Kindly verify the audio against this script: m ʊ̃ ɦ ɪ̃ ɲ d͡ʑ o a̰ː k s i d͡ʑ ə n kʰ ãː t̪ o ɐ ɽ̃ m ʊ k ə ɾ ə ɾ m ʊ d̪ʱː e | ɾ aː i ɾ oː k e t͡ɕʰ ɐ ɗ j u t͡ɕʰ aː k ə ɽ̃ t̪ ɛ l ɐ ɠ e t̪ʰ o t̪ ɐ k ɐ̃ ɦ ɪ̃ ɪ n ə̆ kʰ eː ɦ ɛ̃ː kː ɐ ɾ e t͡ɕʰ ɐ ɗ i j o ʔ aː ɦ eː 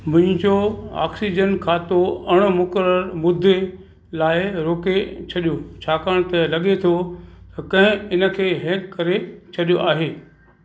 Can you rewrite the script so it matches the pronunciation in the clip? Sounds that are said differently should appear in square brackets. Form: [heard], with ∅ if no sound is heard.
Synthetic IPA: m ʊ̃ ɦ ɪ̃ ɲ d͡ʑ o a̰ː k s i d͡ʑ ə n kʰ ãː t̪ o ɐ ɽ̃ m ʊ k ə ɾ ə ɾ m ʊ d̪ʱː e | [l] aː [ɪ] ɾ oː k e t͡ɕʰ ɐ ɗ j [o] t͡ɕʰ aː k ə ɽ̃ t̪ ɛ l ɐ ɠ e t̪ʰ o t̪ ɐ k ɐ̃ ɦ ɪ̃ ɪ n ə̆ kʰ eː ɦ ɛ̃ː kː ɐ ɾ e t͡ɕʰ ɐ ɗ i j o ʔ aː ɦ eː